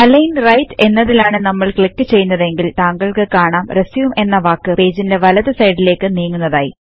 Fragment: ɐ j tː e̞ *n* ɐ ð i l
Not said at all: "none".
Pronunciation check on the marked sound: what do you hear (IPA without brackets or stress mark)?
nː